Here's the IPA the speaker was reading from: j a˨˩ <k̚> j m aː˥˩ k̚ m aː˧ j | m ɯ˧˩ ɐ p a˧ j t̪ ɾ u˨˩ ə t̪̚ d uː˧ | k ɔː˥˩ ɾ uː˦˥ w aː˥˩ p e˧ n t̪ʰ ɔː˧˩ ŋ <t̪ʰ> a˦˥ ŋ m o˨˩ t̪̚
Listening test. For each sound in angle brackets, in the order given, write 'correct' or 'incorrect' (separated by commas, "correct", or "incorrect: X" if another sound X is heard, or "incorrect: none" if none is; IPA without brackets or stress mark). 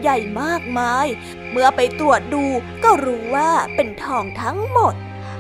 incorrect: none, correct